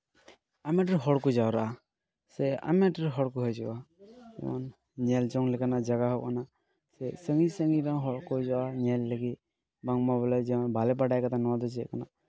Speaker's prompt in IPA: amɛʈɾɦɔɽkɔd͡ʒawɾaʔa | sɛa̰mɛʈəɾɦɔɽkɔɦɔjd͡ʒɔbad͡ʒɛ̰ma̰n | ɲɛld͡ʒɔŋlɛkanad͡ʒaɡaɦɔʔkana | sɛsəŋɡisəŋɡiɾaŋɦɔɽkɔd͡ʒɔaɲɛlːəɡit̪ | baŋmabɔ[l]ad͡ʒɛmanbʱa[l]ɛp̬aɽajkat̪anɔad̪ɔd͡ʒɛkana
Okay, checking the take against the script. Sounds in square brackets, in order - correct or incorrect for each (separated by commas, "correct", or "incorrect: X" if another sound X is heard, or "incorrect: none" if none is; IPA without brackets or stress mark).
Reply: correct, correct